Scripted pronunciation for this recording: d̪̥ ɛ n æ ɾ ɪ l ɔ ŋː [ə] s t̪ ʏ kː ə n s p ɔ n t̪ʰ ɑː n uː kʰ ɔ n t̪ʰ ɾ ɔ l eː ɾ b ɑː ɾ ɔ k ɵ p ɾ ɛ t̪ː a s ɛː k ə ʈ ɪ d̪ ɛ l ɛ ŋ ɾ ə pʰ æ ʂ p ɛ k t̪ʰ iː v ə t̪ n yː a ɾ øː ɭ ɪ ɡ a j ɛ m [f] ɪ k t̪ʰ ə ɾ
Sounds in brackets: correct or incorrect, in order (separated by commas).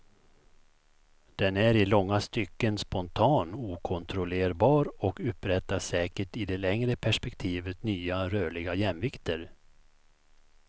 incorrect, incorrect